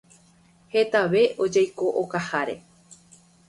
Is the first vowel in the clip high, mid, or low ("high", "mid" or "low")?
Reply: mid